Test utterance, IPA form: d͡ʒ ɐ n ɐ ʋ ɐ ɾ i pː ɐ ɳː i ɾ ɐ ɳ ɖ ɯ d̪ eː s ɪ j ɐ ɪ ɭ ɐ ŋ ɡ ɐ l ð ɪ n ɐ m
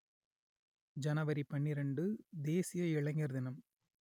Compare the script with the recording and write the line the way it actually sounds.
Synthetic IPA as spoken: d͡ʒ ɐ n ɐ ʋ ɐ ɾ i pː ɐ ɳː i ɾ ɐ ɳ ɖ ɯ d̪ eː s ɪ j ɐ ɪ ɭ ɐ ŋ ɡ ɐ ɾ ð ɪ n ɐ m